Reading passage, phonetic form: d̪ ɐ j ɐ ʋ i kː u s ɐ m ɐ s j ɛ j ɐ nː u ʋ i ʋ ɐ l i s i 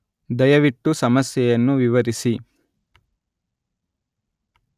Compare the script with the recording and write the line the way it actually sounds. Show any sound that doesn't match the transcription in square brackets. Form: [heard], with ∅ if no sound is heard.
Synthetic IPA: d̪ ɐ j ɐ ʋ i [ʈː] u s ɐ m ɐ s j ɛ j ɐ nː u ʋ i ʋ ɐ [ɾ] i s i